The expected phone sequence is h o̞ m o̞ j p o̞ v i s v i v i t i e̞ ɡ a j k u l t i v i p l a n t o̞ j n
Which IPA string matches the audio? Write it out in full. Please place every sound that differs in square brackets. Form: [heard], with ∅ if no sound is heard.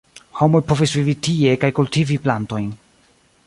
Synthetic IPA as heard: h o̞ m o̞ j p o̞ v i s v i v i t i e̞ [k] a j k u l t i v i p l a n t o̞ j n